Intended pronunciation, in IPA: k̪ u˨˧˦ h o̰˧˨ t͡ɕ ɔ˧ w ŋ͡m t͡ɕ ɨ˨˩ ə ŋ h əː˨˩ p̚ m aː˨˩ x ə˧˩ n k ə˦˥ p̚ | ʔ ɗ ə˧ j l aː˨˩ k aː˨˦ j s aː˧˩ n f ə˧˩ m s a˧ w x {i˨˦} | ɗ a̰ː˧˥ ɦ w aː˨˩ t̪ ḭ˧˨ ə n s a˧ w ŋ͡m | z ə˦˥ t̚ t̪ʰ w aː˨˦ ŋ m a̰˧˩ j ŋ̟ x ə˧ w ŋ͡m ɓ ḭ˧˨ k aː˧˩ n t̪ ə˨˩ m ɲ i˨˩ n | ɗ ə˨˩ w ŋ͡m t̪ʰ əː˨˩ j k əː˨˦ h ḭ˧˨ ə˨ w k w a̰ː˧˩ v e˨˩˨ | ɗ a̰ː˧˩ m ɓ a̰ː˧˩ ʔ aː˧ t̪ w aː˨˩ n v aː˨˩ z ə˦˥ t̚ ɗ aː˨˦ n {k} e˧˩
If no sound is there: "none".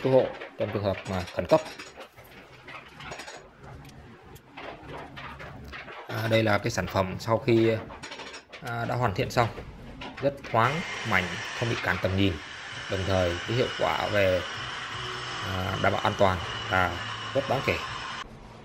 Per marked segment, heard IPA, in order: i˧˨˩, k

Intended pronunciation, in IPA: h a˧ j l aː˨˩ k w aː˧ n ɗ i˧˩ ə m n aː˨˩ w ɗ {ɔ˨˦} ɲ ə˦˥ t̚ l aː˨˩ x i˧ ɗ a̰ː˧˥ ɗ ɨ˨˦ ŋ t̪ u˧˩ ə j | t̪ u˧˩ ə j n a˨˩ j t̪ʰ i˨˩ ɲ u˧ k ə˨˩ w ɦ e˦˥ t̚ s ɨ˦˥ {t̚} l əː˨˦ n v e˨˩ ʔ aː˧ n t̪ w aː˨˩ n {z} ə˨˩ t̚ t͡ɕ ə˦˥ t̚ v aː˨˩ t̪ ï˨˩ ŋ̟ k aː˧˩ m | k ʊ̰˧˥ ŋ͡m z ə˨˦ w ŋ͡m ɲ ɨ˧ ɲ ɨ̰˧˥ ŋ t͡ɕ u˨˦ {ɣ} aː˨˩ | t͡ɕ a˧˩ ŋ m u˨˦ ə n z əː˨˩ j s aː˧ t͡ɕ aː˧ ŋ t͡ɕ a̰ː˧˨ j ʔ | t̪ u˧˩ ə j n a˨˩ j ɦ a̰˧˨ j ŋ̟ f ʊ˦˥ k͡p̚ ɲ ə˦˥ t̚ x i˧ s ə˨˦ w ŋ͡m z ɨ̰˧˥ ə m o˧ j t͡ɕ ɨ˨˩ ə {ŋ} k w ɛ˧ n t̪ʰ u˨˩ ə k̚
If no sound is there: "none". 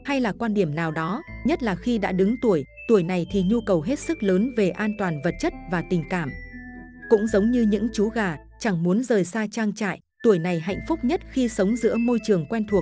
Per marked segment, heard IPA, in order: ɔ˨˦, k̚, v, ɣ, ŋ

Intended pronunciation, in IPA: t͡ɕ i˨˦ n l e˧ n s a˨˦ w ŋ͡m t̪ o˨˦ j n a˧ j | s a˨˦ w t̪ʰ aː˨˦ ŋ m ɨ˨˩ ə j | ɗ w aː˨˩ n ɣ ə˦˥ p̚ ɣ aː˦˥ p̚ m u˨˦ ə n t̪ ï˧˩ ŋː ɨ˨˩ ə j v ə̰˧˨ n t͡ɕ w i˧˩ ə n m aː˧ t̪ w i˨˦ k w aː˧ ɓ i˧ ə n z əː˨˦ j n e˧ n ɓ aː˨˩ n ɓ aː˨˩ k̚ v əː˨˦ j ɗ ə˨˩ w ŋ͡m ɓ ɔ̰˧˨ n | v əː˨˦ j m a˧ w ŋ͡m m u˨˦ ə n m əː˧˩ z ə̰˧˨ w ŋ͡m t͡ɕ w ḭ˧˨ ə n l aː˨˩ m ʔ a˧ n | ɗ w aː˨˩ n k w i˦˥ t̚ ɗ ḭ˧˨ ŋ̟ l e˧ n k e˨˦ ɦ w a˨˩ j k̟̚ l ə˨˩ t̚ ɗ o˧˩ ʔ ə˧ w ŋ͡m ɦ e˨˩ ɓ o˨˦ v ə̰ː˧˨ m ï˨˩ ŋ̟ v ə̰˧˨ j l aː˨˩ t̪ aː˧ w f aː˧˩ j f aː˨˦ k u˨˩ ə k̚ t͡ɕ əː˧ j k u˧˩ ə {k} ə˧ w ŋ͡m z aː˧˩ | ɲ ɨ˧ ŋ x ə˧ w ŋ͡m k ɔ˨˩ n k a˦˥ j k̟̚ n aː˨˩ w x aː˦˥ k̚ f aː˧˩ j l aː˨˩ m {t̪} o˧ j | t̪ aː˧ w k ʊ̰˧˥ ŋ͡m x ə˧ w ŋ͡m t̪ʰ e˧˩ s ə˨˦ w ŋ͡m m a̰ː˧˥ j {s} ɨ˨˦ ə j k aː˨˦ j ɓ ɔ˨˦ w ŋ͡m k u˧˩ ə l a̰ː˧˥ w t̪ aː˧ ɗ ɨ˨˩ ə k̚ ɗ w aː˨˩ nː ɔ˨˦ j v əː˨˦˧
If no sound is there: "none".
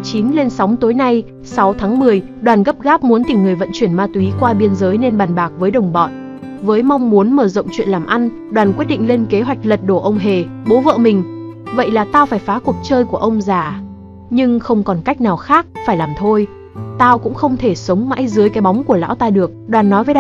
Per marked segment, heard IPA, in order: ʔ, t̪ʰ, z

